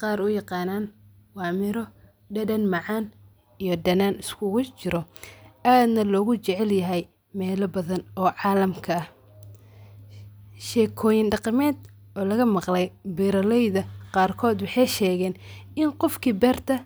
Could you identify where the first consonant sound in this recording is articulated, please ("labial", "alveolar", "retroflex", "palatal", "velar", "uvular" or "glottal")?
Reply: uvular